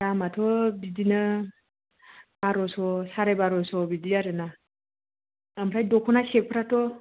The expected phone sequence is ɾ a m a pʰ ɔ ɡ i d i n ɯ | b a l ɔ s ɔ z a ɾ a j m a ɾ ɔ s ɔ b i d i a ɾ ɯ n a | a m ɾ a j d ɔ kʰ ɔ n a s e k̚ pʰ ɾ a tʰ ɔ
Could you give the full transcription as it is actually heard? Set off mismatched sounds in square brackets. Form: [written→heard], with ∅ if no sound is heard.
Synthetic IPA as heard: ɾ a m a [pʰ→tʰ] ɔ [ɡ→b] i d i n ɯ | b a [l→ɾ] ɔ s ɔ [z→s] a ɾ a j [m→b] a ɾ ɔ s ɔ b i d i a ɾ ɯ n a | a m ɾ a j d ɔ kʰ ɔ n a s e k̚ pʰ ɾ a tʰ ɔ